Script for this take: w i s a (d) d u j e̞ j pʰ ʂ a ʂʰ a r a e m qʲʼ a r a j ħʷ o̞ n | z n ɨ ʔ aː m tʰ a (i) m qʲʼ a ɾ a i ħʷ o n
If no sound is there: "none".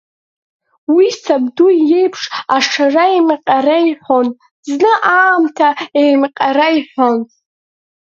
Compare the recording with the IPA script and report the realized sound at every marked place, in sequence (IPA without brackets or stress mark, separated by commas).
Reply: b, e